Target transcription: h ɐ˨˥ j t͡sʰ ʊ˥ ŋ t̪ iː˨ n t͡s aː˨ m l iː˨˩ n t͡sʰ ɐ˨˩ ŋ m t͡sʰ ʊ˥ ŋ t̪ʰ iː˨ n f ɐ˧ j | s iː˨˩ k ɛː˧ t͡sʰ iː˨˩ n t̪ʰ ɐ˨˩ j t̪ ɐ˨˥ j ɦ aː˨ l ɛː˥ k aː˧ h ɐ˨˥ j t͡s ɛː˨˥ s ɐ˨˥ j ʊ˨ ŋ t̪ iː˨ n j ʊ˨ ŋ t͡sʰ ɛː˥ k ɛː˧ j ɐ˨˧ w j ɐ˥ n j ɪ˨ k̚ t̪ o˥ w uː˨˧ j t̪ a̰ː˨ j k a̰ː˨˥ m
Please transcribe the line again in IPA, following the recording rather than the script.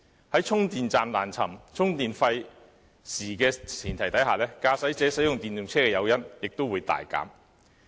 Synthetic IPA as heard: h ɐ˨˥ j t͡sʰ ʊ˥ ŋ t̪ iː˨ n t͡s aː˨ m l aː˨˩ n t͡sʰ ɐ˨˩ m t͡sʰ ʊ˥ ŋ t̪ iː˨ n f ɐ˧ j | s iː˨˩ k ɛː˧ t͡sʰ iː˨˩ n t̪ʰ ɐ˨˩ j t̪ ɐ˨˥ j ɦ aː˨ l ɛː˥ k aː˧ s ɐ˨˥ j t͡s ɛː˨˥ s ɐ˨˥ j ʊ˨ ŋ t̪ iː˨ n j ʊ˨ ŋ t͡sʰ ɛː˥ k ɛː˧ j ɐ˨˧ w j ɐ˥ n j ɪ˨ k̚ t̪ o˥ w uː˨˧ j t̪ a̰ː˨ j k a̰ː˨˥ m